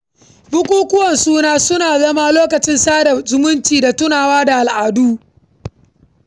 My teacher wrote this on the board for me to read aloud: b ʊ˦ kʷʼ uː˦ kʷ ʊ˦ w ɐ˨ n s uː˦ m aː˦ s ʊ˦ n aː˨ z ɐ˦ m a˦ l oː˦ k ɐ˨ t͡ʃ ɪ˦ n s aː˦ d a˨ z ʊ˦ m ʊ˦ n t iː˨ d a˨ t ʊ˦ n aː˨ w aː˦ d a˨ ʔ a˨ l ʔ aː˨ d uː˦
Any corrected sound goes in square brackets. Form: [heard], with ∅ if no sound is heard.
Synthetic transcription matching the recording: b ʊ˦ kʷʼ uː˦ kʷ ʊ˦ w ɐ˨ n s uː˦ [n] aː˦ s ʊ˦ n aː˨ z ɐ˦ m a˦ l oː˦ k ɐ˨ t͡ʃ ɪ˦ n s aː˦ d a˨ z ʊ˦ m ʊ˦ n [t͡ʃ] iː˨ d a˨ t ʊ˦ n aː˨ w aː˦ d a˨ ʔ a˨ l ʔ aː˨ d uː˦

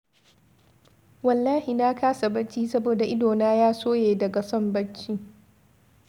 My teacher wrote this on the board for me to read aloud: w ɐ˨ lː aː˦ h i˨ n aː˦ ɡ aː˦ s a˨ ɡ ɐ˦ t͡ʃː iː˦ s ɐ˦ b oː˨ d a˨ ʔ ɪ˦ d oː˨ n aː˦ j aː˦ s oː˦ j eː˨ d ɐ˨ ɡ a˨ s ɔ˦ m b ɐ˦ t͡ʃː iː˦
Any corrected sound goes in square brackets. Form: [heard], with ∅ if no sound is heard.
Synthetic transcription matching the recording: w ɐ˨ lː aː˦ h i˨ n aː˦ [k] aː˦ s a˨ [b] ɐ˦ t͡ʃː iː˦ s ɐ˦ b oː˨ d a˨ ʔ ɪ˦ d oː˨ n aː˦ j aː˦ s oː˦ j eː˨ d ɐ˨ ɡ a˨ s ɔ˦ m b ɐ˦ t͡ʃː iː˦

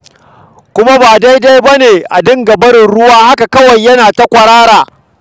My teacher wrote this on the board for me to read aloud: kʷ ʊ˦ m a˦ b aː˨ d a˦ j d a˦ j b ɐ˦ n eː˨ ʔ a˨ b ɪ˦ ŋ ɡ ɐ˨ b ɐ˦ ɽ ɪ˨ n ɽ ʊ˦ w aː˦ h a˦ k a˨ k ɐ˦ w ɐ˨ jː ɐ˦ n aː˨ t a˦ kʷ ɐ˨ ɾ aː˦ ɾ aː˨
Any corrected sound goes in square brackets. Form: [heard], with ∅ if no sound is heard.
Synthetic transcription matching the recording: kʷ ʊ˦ m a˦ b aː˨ d a˦ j d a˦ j b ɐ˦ n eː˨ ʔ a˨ [d] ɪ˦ ŋ ɡ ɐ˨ b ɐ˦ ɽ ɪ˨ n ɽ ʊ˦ w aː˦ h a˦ k a˨ k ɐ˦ w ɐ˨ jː ɐ˦ n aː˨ t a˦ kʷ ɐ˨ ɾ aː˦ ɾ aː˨

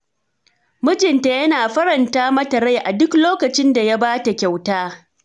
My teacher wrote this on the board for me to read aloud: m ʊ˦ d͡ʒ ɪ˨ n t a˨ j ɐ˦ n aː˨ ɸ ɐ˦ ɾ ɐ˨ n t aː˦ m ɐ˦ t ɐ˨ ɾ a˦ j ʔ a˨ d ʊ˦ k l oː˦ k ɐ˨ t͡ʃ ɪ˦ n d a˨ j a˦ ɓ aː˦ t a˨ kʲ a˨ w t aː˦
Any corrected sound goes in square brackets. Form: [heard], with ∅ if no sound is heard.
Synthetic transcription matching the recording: m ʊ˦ d͡ʒ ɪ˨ n t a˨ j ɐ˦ n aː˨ ɸ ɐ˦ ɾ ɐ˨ n t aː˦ m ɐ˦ t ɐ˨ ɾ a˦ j ʔ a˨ d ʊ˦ k l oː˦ k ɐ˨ t͡ʃ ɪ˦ n d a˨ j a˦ [b] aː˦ t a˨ kʲ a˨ w t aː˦

